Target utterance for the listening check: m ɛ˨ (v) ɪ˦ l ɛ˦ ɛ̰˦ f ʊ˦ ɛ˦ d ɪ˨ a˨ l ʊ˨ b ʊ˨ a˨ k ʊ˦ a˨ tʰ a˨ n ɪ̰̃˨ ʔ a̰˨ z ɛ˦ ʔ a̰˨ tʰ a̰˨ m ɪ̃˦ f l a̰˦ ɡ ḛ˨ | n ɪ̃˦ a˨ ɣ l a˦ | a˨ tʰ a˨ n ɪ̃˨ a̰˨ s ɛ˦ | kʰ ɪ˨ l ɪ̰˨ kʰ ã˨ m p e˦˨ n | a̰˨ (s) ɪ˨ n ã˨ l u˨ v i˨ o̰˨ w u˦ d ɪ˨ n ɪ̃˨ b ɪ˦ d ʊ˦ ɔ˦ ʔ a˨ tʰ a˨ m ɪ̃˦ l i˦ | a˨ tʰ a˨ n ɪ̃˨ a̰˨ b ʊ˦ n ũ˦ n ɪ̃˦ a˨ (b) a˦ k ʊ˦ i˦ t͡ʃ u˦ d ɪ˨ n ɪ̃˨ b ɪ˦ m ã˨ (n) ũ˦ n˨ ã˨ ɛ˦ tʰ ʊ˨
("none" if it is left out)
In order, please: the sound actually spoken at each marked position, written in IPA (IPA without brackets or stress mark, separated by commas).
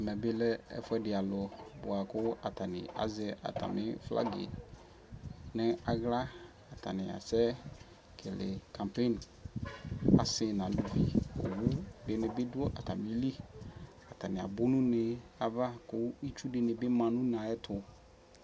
b, s, v, n